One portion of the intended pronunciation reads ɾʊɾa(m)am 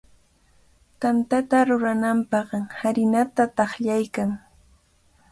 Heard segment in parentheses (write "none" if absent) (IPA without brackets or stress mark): n